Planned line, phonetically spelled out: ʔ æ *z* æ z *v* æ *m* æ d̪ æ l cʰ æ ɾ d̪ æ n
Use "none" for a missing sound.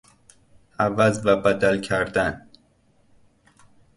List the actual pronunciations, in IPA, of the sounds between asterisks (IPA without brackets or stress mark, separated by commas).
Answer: v, v, b